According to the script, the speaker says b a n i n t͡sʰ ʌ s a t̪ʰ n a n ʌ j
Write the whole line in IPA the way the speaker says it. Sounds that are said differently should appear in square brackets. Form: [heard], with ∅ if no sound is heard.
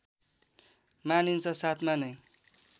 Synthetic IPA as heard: [m] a n i n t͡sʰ ʌ s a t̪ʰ [m] a n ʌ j